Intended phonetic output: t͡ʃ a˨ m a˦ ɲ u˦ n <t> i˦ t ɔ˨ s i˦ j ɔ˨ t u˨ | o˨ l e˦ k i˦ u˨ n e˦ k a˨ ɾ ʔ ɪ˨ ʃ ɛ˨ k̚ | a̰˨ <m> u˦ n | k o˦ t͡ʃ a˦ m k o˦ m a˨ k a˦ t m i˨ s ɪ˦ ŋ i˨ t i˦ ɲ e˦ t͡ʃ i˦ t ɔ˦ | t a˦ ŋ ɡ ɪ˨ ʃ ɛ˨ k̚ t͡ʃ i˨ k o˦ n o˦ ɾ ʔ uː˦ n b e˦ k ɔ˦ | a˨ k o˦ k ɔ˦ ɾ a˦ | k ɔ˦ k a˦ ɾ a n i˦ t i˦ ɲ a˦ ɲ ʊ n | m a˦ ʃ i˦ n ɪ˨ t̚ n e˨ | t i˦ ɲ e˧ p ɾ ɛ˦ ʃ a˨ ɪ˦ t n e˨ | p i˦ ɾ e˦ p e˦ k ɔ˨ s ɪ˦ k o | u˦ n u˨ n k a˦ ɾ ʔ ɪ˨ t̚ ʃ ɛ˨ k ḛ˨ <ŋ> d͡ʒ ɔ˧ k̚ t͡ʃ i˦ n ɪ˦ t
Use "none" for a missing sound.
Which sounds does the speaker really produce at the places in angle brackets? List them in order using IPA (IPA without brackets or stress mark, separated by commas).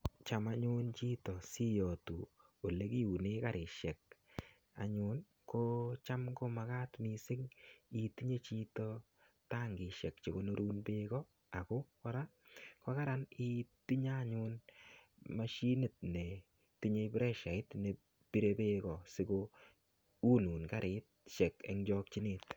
t͡ʃ, ɲ, ŋ